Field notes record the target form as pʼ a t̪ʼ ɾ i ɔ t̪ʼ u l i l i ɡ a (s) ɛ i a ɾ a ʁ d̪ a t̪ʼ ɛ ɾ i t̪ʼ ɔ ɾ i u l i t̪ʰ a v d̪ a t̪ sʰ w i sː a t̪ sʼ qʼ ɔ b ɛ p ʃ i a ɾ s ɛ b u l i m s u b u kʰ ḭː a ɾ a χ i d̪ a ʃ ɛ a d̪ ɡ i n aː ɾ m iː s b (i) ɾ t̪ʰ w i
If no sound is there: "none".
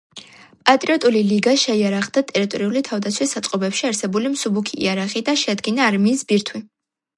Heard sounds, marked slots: ʃ, i

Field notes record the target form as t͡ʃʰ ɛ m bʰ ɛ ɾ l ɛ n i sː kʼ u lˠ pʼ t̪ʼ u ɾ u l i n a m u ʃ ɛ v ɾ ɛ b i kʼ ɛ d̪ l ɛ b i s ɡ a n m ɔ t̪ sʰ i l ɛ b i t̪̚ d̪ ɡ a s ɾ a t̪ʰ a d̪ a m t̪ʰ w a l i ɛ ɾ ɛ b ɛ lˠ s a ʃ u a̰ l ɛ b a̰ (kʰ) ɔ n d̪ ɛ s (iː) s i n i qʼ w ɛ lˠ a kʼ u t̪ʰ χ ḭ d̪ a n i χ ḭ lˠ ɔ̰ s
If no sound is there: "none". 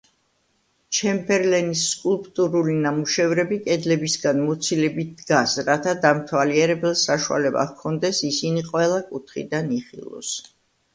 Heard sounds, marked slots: kʰ, i

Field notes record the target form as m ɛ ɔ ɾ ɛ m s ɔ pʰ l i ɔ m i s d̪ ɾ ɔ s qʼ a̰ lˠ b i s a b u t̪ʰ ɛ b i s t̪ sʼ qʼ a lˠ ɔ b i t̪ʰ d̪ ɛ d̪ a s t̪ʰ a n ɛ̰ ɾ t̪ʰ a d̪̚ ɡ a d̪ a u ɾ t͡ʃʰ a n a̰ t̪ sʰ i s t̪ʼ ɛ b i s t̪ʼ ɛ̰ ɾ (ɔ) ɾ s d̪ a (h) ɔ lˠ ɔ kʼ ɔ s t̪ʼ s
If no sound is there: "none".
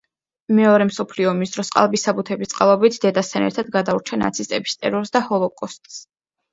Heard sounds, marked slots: ɔ, h

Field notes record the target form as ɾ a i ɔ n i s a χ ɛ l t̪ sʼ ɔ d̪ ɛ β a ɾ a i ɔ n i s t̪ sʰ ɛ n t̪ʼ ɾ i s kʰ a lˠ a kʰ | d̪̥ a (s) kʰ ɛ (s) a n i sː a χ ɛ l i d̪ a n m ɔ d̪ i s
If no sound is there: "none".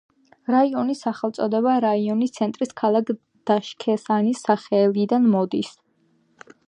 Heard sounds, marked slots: ʃ, s

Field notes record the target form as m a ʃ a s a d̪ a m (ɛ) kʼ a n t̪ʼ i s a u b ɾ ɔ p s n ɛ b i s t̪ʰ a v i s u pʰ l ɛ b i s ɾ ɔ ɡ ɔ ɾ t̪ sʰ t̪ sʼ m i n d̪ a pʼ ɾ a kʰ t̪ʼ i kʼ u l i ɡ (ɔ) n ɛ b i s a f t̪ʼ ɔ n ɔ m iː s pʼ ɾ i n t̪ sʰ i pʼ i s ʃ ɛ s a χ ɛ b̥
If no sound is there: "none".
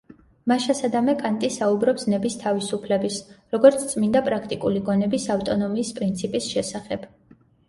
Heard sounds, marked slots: ɛ, ɔ

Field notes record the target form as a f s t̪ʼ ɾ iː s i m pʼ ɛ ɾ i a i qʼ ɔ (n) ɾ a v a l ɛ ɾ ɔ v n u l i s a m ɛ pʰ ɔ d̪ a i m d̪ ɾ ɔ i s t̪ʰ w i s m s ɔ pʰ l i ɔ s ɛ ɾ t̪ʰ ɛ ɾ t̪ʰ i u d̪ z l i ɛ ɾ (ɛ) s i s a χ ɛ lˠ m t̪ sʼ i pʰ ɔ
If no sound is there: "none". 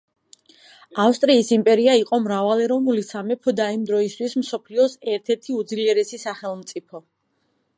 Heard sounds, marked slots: m, ɛ

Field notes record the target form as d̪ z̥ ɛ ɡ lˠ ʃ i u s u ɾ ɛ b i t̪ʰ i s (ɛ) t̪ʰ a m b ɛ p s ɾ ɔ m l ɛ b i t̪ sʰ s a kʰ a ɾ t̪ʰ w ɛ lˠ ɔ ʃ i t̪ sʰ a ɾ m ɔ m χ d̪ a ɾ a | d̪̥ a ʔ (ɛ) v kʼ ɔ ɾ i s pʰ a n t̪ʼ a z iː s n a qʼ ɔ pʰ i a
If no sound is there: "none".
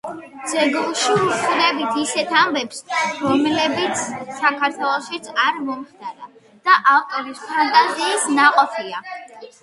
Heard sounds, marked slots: ɛ, a

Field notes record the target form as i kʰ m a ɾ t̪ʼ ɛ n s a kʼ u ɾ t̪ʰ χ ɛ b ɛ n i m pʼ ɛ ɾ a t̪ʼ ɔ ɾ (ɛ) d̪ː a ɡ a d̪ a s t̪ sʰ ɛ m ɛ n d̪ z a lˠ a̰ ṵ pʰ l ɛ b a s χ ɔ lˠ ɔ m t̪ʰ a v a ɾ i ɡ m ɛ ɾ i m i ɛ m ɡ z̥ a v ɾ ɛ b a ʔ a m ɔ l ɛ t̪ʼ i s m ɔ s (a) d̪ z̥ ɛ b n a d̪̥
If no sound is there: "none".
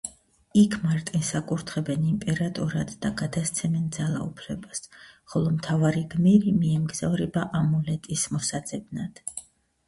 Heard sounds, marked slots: a, a

